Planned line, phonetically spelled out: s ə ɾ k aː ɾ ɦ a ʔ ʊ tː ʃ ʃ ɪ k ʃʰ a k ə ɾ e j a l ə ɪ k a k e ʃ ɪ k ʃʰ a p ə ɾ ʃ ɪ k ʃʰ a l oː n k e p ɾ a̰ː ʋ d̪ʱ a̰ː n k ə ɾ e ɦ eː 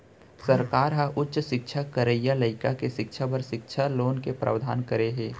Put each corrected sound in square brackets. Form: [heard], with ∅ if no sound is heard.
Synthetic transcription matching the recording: s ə ɾ k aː ɾ ɦ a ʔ ʊ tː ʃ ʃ ɪ k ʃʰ a k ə ɾ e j a l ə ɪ k a k e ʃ ɪ k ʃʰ a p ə ɾ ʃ ɪ k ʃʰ a l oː n k e p ɾ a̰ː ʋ d̪ʱ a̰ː n k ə ɾ e ɦ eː